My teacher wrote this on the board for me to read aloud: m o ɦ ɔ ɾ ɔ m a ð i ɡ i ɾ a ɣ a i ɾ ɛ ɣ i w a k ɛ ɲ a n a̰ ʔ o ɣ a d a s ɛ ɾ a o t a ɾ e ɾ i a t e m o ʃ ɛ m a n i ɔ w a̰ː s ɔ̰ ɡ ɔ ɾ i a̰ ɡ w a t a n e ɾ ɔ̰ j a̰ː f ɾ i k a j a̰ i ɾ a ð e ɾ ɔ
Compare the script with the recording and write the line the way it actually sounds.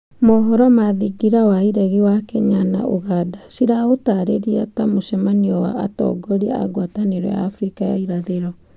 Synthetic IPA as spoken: m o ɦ ɔ ɾ ɔ m a ð i ɡ i ɾ a w a i ɾ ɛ ɣ i w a k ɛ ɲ a n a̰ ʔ o ɣ a d a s i ɾ a o t a ɾ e ɾ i a t a m o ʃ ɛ m a n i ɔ w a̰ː t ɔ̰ ɡ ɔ ɾ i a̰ ɡ w a t a n e ɾ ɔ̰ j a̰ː f ɾ i k a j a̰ i ɾ a ð e ɾ ɔ

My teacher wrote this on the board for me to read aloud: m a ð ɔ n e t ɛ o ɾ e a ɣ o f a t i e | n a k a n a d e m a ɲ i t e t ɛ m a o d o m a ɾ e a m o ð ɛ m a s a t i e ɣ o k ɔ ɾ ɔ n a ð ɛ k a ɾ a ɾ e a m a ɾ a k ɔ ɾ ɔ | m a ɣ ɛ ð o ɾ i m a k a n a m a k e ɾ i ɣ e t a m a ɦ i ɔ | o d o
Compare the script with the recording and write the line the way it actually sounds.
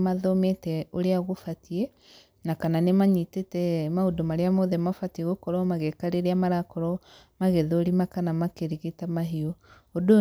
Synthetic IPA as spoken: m a ð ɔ m e t ɛ o ɾ e a ɣ o f a t i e | n a k a n a n e m a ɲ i t e t ɛ m a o d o m a ɾ e a m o ð ɛ m a f a t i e ɣ o k ɔ ɾ ɔ m a ɣ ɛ k a ɾ e ɾ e a m a ɾ a k ɔ ɾ ɔ | m a ɣ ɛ ð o ɾ i m a k a n a m a k e ɾ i ɣ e t a m a ɦ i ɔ | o d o

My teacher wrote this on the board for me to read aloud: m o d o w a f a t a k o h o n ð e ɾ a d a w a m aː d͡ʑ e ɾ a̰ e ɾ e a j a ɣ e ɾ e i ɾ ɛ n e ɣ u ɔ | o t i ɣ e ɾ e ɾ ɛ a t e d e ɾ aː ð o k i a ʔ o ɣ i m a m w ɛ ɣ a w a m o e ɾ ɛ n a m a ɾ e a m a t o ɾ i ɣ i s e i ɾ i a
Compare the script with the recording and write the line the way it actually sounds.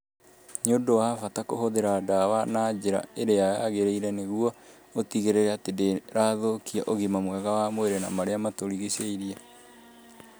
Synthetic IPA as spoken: ɲ o d o w a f a t a k o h o ð e ɾ a d a w a n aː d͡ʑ e ɾ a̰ e ɾ e a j a ɣ e ɾ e i ɾ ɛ n e ɣ u ɔ | o t i ɣ e ɾ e ɾ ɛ a t e d e ɾ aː ð o k i a ʔ o ɣ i m a m w ɛ ɣ a w a m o e ɾ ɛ n a m a ɾ e a m a t o ɾ i ɣ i s e i ɾ i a

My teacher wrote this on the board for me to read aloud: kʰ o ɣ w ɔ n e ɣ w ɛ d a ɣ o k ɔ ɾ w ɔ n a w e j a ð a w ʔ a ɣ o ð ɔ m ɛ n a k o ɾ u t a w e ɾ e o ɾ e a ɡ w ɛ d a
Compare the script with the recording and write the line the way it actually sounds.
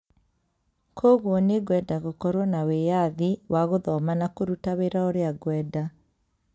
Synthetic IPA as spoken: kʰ o ɣ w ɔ n e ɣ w ɛ d a ɣ o k ɔ ɾ w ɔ n a w e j a ð i w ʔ a ɣ o ð ɔ m a n a k o ɾ u t a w e ɾ a o ɾ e a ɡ w ɛ d a

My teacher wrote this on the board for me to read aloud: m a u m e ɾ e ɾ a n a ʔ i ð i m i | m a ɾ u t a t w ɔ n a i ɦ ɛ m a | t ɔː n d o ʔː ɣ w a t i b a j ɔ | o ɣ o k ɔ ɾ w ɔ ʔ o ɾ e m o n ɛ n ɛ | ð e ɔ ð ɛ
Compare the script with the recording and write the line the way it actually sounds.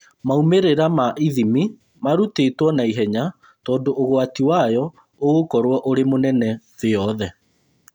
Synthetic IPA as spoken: m a u m e ɾ e ɾ a m a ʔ i ð i m i | m a ɾ u t e t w ɔ n a i ɦ ɛ ɲ a | t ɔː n d o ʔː ɣ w a t i w a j ɔ | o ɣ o k ɔ ɾ w ɔ ʔ o ɾ e m o n ɛ n ɛ | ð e ɔ ð ɛ

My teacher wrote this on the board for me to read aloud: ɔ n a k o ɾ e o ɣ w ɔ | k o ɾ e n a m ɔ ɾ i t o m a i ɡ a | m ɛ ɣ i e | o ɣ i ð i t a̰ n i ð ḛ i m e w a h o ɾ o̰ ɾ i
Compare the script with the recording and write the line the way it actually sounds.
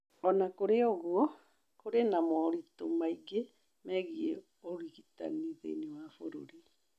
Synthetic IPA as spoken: ɔ n a k o ɾ e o ɣ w ɔ | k o ɾ e n a m ɔ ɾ i t o m a i ɡ e | m ɛ ɣ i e | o ɣ i ɣ i t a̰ n i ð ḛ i n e w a f o ɾ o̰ ɾ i

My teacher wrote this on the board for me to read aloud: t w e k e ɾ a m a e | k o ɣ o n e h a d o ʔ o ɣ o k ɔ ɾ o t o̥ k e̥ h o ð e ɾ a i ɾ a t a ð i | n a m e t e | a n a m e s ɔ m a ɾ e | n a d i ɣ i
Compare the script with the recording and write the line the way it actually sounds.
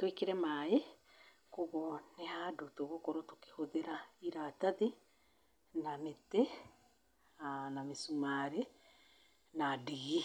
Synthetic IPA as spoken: t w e k e ɾ ɛ m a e | k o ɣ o n e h a d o t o ɣ o k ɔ ɾ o t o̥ k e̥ h o ð e ɾ a i ɾ a t a ð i | n a m e t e | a n a m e s u m a ɾ e | n a d i ɣ i

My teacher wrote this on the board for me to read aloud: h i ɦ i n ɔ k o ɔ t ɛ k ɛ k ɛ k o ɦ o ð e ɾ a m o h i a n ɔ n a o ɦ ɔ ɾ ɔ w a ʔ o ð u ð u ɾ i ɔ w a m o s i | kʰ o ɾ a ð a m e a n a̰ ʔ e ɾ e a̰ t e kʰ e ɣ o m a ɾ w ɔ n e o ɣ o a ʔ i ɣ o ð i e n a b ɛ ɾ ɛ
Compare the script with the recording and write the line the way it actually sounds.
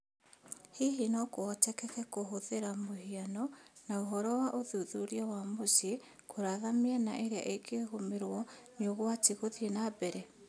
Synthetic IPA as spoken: h i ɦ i n ɔ k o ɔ t ɛ k ɛ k ɛ k o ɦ o ð e ɾ a m o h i a n ɔ n a o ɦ ɔ ɾ ɔ w a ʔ o ð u ð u ɾ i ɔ w a m o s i | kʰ o ɾ a ð a m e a n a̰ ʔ e ɾ e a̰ ʔ e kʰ e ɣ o m e ɾ w ɔ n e o ɣ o a t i ɣ o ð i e n a b ɛ ɾ ɛ

